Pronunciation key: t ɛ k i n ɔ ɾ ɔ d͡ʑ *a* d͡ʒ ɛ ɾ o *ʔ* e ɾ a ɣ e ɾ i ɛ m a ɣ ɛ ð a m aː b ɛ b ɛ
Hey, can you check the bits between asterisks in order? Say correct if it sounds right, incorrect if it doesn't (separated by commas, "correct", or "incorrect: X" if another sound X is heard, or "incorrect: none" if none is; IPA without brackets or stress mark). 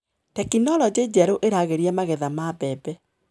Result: incorrect: e, correct